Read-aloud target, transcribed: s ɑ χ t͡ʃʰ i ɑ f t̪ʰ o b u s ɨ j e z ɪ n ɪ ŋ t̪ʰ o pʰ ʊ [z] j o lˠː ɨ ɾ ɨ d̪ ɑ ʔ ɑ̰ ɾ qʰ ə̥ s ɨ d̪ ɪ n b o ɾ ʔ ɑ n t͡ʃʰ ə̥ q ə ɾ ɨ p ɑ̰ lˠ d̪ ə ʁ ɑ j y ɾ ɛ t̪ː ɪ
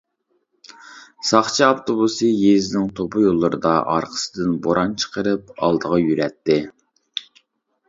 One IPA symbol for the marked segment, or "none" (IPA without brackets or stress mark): none